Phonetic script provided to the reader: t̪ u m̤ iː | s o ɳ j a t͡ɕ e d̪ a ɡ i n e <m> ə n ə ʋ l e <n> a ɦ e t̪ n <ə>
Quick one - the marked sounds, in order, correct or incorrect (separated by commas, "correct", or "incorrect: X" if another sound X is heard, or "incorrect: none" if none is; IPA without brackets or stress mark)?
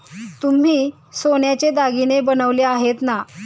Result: incorrect: b, incorrect: none, incorrect: a